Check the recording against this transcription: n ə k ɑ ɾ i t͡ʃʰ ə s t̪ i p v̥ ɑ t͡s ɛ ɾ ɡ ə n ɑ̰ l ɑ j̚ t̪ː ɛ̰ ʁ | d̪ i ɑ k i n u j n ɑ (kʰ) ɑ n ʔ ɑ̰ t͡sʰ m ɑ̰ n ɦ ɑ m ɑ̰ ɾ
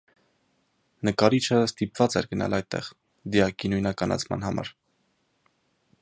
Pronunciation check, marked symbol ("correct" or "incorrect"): incorrect